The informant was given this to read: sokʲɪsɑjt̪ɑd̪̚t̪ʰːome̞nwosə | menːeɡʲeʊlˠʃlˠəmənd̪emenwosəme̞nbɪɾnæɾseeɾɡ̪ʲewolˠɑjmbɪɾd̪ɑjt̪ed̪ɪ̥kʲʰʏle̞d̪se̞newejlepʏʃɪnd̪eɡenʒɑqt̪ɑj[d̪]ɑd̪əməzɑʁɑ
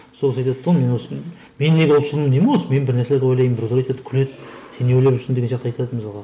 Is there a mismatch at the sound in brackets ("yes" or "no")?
yes